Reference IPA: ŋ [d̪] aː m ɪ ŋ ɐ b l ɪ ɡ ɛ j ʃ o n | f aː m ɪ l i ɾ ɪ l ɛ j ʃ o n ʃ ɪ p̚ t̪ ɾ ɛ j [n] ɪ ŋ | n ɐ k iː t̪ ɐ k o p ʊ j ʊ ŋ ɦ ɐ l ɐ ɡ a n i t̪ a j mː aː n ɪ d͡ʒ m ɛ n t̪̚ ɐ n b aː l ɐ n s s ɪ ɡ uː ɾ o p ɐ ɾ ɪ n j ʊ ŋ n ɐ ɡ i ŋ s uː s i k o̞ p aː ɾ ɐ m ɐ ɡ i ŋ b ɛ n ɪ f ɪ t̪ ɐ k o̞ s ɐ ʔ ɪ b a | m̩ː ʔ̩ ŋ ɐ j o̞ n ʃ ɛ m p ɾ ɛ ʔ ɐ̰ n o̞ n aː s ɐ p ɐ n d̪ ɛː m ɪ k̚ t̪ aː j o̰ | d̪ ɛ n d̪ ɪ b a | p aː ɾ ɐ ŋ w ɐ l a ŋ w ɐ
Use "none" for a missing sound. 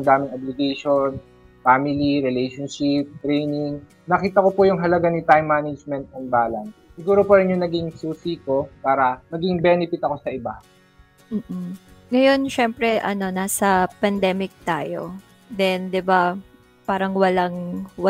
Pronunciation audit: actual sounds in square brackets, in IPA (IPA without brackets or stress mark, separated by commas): d̪, n